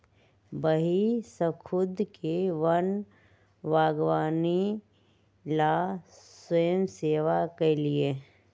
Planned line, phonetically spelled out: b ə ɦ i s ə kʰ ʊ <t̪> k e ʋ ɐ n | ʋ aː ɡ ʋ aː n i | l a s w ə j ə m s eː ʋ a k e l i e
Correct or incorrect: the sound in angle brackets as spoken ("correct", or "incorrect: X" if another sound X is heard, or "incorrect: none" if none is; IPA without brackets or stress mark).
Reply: incorrect: d̪